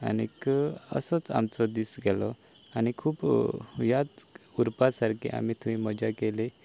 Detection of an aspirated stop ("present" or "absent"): present